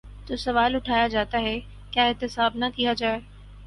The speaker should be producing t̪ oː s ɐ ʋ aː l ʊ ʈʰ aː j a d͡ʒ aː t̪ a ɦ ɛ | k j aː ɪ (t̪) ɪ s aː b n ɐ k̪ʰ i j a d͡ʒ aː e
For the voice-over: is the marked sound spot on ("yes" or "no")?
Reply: yes